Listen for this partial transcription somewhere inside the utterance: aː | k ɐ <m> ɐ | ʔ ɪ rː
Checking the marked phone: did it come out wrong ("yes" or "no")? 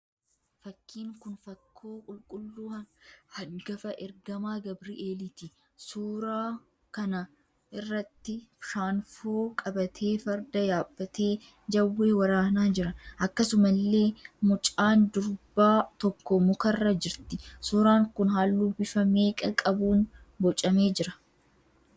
yes